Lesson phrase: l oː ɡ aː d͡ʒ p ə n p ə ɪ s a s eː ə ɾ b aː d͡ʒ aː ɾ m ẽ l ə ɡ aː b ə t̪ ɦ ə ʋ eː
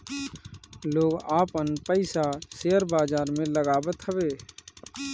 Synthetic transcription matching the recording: l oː ɡ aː p ə n p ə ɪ s a s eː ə ɾ b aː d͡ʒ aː ɾ m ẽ l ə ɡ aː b ə t̪ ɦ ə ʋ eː